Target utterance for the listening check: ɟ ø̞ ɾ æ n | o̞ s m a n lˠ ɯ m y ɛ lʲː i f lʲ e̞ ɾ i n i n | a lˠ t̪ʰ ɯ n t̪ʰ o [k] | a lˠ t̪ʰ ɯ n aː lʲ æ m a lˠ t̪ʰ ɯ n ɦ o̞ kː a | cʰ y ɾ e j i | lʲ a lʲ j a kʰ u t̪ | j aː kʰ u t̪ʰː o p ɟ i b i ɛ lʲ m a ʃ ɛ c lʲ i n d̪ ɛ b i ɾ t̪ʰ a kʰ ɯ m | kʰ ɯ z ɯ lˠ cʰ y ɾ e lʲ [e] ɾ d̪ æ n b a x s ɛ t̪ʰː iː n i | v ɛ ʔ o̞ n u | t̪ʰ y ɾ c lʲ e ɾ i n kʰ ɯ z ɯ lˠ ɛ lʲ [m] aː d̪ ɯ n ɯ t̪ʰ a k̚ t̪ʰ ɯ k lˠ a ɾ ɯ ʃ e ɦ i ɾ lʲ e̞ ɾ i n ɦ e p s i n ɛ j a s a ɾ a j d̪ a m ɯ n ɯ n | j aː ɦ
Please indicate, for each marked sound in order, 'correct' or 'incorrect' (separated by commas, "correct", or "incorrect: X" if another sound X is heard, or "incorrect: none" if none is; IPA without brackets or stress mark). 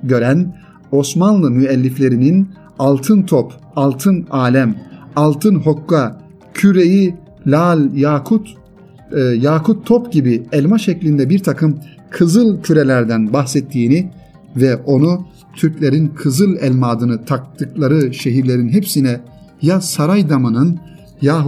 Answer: incorrect: p, incorrect: æ, correct